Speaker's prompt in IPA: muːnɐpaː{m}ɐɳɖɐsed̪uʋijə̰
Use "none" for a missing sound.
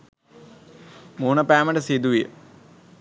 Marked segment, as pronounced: m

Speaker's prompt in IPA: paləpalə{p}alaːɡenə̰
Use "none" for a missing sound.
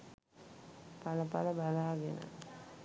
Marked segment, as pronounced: b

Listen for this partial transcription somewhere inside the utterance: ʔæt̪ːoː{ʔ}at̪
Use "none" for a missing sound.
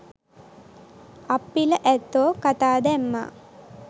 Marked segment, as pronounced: k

